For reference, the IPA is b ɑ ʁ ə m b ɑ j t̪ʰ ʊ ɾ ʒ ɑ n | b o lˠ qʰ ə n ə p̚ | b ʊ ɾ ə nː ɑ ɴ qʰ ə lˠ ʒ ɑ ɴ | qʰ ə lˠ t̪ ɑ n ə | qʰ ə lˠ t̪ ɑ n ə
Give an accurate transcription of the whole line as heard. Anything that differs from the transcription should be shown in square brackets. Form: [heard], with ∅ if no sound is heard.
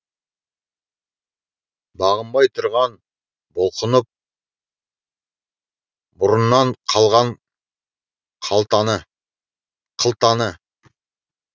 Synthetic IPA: b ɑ ʁ ə m b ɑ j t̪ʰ ʊ ɾ [ʁ] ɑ n | b o lˠ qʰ ə n ə p̚ | b ʊ ɾ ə nː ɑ ɴ qʰ [ɑ] lˠ [ʁ] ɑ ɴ | qʰ [ɑ] lˠ t̪ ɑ n ə | qʰ ə lˠ t̪ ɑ n ə

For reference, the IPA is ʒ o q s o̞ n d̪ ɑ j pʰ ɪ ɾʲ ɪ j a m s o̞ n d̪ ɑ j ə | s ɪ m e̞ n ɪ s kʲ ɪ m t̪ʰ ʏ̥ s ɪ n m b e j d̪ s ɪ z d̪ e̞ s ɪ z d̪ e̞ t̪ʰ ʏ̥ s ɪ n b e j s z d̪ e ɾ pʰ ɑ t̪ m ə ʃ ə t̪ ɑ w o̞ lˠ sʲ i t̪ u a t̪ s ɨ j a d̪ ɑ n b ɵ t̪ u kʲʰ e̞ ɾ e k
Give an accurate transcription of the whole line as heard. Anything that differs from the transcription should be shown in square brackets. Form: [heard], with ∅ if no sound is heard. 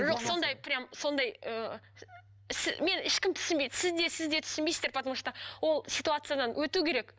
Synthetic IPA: ʒ o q s o̞ n d̪ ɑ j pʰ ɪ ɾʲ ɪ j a m s o̞ n d̪ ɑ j ə | s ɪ m e̞ n ɪ [ʃ] kʲ ɪ m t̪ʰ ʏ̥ s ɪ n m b e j d̪ s ɪ z d̪ e̞ s ɪ z d̪ e̞ t̪ʰ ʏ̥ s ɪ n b e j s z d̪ e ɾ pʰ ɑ t̪ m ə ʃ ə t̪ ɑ w o̞ lˠ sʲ i t̪ u a t̪ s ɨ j a d̪ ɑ n [w] ɵ t̪ u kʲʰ e̞ ɾ e k

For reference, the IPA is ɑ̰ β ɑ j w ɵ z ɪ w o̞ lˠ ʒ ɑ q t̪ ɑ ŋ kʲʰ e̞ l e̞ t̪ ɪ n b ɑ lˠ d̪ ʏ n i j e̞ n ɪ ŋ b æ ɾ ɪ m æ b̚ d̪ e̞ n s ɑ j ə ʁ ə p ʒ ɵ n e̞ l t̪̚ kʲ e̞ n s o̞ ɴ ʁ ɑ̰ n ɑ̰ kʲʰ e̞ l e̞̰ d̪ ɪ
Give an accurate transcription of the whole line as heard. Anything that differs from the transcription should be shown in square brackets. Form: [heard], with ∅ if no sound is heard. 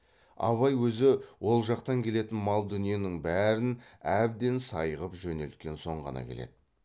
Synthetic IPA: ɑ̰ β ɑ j w ɵ z ɪ w o̞ lˠ ʒ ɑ q t̪ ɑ ŋ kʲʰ e̞ l e̞ t̪ ɪ n [m] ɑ lˠ d̪ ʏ n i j e̞ n ɪ ŋ b æ ɾ ɪ [n] æ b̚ d̪ e̞ n s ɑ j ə ʁ ə p ʒ ɵ n e̞ l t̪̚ kʲ e̞ n s o̞ ɴ ʁ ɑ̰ n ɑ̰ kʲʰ e̞ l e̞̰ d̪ ɪ

